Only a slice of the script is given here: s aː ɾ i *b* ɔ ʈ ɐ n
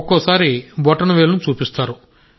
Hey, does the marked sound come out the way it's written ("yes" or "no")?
yes